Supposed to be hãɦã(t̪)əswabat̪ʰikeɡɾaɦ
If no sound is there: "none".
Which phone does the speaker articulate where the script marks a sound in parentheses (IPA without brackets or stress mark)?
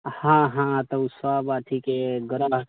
t̪